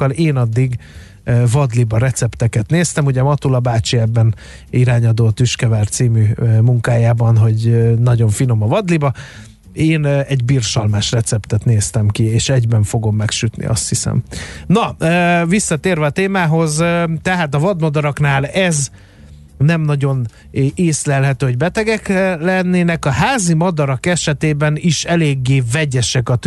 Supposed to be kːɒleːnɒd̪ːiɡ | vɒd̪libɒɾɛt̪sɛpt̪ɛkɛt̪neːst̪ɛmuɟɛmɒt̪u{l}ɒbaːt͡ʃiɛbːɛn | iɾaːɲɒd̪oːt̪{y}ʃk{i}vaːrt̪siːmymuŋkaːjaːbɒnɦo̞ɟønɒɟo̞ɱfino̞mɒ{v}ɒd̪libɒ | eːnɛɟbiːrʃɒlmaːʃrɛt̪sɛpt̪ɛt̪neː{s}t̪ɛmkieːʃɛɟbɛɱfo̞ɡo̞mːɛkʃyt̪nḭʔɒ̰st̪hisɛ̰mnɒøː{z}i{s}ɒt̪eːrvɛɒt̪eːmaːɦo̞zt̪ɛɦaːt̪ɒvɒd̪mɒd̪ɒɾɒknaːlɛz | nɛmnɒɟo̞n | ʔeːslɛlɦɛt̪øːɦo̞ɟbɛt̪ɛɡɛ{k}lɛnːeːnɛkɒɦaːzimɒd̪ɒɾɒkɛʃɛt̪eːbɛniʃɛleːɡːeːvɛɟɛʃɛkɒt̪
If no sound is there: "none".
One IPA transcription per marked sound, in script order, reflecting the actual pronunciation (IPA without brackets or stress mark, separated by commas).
l, y, ɛ, v, s, v, sː, k